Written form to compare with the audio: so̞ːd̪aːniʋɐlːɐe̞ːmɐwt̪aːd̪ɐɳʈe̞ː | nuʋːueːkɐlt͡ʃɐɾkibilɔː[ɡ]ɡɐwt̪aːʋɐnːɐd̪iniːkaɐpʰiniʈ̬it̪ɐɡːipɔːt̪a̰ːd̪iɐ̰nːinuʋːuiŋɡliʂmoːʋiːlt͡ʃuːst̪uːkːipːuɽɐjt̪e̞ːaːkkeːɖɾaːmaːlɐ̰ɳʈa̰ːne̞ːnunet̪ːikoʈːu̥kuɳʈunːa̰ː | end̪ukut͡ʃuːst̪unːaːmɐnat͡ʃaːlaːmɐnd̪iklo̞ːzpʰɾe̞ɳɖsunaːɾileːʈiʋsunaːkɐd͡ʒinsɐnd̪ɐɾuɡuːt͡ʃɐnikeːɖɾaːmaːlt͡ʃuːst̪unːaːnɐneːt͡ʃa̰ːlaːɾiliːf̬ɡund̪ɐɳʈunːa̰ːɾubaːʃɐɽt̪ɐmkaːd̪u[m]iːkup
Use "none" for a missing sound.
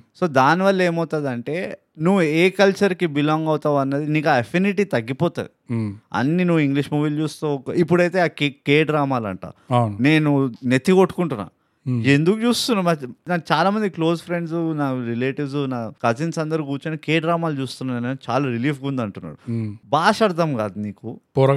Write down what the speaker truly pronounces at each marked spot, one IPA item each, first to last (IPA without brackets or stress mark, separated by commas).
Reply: ŋ, n